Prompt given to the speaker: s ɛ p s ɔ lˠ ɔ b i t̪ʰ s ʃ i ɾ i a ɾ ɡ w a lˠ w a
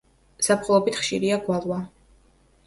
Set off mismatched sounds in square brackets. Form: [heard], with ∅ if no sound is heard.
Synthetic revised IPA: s [a] p [χ] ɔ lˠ ɔ b i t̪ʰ [χ] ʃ i ɾ i a [∅] ɡ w a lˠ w a